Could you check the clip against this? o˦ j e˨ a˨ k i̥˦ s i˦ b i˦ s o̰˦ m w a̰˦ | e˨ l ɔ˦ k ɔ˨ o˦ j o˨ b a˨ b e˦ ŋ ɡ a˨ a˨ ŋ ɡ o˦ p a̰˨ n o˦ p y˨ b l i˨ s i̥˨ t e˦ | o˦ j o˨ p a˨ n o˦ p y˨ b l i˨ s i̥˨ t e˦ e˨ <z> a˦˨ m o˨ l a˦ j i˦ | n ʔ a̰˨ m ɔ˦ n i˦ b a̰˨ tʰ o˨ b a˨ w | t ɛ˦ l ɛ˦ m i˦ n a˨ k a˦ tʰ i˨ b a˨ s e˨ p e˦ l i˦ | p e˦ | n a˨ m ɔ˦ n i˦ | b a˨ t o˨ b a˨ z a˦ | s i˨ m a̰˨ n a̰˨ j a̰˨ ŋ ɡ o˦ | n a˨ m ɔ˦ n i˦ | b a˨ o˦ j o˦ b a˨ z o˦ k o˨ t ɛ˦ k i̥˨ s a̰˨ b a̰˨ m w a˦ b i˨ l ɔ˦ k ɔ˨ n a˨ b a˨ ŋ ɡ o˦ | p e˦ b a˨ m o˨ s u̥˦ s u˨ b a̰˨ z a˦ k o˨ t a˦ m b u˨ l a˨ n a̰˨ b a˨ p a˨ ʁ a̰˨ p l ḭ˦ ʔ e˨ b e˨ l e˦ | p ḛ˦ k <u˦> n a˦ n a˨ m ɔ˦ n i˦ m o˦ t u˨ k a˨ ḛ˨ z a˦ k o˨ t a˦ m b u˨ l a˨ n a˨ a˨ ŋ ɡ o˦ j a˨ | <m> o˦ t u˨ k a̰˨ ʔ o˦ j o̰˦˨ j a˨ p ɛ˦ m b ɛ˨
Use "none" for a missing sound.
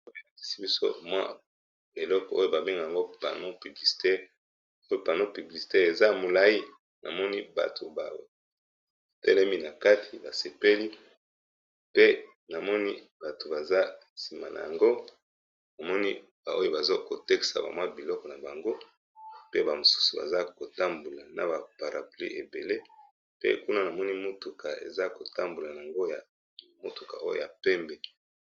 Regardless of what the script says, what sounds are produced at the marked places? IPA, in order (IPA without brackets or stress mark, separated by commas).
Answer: z, u˦, m